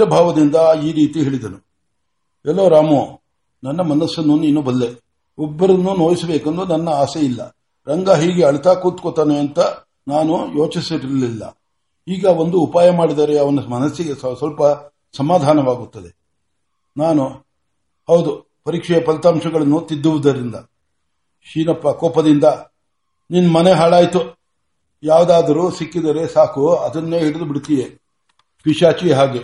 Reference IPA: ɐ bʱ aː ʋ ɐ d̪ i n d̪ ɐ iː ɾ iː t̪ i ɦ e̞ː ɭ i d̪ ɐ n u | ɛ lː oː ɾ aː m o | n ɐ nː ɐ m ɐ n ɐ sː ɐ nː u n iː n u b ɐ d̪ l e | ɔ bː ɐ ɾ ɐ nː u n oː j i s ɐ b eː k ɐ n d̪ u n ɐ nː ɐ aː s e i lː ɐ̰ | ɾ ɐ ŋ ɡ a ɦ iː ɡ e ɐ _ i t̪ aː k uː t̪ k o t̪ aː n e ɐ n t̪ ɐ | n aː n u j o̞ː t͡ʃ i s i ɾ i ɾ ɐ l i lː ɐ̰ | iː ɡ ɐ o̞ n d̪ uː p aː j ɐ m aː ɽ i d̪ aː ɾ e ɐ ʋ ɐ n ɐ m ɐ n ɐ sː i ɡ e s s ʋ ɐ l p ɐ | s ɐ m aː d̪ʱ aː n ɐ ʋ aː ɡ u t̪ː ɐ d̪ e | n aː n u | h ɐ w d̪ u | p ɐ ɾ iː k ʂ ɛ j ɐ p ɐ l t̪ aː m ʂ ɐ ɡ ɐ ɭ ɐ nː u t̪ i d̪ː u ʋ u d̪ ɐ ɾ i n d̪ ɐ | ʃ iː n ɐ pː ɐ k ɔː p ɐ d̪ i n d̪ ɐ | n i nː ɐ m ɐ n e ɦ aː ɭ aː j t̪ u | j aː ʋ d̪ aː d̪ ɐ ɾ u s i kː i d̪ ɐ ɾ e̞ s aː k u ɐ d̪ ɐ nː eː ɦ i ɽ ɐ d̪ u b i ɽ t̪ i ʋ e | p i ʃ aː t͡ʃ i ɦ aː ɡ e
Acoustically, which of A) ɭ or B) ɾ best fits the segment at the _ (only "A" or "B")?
A